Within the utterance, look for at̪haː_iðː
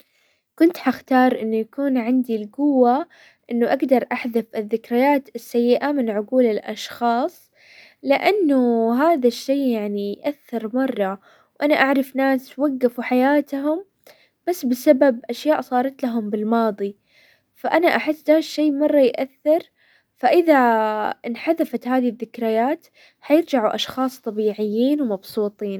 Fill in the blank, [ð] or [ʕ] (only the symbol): ð